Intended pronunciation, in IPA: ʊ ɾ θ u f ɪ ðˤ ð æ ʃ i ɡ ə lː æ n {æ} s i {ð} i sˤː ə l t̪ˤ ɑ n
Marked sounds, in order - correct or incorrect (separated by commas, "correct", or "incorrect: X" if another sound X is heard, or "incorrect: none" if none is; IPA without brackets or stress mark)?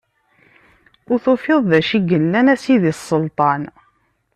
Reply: correct, correct